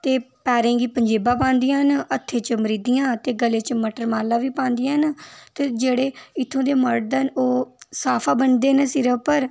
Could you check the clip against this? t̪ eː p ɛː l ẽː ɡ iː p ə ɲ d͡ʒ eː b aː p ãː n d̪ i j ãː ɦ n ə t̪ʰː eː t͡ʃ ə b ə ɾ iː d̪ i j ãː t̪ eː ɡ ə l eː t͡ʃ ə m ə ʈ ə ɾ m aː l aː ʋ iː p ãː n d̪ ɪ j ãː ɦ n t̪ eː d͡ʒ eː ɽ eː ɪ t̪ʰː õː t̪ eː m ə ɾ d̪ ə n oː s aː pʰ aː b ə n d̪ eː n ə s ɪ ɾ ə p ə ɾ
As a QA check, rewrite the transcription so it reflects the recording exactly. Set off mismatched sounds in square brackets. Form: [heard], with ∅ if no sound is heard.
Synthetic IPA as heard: t̪ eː p ɛː [ɾ] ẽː ɡ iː p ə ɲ d͡ʒ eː b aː p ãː n d̪ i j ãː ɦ n ə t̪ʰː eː t͡ʃ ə [m] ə ɾ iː d̪ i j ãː t̪ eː ɡ ə l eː t͡ʃ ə m ə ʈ ə ɾ m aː l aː ʋ iː p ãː n d̪ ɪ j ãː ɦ n t̪ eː d͡ʒ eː ɽ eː ɪ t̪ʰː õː [d̪] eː m ə ɾ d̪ ə n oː s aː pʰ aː b ə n d̪ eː n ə s ɪ ɾ ə p ə ɾ